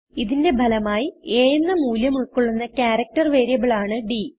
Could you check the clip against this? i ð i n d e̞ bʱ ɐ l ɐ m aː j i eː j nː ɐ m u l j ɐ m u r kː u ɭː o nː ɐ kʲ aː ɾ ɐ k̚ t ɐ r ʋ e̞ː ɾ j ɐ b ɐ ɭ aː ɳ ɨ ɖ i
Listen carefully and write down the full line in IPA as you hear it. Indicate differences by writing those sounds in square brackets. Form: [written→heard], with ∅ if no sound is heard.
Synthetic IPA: i ð i n d e̞ bʱ ɐ l ɐ m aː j i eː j nː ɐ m [u→uː] l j ɐ m u [r→ɭ] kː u ɭː [o→u] nː ɐ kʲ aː ɾ ɐ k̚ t ɐ r ʋ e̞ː ɾ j ɐ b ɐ ɭ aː ɳ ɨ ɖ i